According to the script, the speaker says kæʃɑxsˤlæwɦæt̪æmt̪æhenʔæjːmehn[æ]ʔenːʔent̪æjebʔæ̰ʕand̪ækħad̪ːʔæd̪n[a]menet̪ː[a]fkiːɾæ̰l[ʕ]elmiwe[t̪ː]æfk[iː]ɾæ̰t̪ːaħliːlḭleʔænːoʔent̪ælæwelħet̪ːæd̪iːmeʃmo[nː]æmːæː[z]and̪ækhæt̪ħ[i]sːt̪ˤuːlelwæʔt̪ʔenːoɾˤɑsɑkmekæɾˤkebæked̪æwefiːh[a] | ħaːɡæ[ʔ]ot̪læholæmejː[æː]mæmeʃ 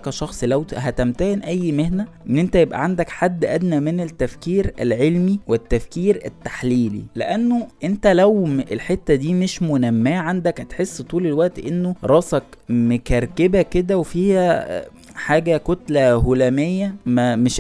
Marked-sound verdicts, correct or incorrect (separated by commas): correct, incorrect, incorrect, correct, correct, correct, incorrect, incorrect, incorrect, incorrect, incorrect, incorrect